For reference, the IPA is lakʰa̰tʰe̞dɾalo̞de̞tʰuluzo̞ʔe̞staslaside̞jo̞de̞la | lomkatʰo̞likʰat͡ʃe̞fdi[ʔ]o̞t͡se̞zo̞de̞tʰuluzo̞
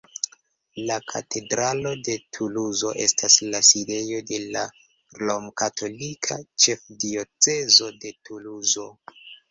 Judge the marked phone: incorrect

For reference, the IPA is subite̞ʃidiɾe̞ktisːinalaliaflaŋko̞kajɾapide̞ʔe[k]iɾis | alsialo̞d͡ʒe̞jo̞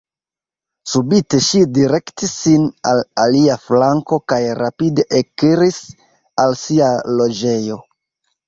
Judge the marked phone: correct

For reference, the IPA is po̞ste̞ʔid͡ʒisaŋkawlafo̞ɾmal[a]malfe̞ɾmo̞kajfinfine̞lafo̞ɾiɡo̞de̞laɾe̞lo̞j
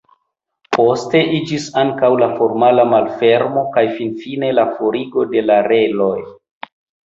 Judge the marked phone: correct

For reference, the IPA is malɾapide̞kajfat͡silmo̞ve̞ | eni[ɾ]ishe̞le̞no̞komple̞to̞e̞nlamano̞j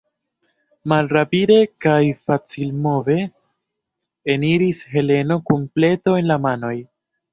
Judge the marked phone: correct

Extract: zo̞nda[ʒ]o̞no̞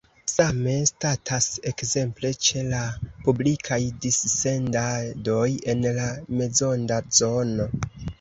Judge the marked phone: incorrect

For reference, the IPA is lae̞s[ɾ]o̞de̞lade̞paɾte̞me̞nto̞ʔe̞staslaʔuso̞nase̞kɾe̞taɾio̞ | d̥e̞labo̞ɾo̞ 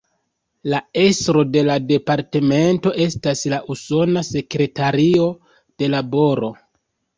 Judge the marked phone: correct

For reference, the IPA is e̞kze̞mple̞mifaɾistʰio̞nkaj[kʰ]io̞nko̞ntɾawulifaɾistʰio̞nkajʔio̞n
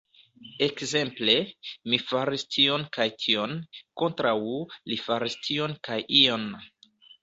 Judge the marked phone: incorrect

